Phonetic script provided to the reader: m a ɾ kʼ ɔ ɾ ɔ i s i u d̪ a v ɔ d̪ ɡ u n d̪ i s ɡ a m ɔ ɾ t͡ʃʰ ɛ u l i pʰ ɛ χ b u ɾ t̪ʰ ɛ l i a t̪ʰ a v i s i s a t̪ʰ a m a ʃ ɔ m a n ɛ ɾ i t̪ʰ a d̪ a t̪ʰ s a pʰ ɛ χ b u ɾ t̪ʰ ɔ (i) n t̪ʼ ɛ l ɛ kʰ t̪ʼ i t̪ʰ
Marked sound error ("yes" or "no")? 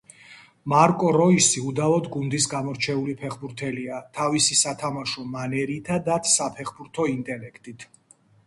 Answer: no